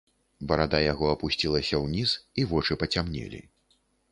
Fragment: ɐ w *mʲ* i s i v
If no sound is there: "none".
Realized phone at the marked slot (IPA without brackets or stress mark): nʲ